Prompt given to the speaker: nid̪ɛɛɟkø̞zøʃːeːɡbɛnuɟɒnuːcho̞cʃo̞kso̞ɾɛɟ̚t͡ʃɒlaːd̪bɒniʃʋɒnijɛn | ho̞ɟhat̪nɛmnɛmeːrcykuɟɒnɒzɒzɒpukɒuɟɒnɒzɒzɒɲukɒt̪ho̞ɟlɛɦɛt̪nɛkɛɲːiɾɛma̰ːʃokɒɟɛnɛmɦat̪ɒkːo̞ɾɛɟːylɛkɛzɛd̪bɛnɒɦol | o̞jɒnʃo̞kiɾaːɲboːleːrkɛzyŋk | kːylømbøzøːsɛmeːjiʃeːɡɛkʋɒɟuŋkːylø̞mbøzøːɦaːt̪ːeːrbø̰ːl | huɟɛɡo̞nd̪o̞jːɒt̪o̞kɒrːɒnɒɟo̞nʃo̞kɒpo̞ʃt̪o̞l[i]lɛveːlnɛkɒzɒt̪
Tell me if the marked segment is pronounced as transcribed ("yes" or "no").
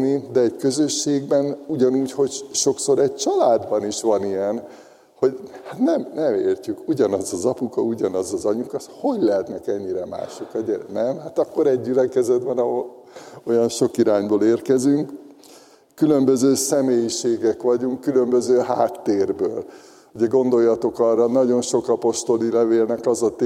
yes